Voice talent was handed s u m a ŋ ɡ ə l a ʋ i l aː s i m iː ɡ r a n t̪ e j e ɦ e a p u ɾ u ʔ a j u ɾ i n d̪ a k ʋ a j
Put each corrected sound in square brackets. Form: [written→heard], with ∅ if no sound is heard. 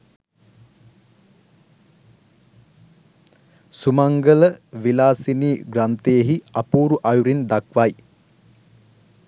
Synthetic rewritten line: s u m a ŋ ɡ ə l [a→ə] ʋ i l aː s i [m→n] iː ɡ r a n t̪ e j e ɦ [e→i] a p [u→uː] ɾ u ʔ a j u ɾ i n d̪ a k ʋ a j